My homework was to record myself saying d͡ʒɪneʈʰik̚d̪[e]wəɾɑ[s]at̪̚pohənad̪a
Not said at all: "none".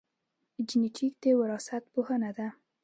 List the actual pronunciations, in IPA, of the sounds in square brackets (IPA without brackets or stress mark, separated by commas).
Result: e, s